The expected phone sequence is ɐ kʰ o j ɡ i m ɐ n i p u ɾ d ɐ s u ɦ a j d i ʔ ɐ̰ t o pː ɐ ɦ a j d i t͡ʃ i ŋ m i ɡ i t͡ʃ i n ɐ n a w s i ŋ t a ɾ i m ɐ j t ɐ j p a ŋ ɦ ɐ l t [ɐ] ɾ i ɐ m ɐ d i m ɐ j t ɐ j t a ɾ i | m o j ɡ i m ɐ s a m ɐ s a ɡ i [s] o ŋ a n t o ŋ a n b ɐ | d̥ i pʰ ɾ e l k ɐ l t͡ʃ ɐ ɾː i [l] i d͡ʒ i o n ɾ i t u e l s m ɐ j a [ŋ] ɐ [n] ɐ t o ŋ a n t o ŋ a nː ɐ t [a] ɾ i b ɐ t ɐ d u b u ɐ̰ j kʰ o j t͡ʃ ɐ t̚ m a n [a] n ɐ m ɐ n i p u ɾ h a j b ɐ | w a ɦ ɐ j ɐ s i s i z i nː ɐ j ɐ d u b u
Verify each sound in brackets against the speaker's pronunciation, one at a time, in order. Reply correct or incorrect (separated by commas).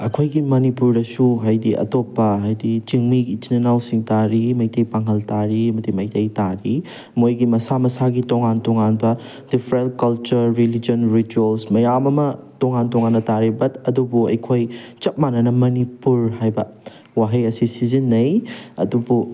incorrect, incorrect, correct, incorrect, incorrect, correct, incorrect